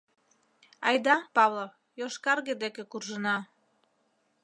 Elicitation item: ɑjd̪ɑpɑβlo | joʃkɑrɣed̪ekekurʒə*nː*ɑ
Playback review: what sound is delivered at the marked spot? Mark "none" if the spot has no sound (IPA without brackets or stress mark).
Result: n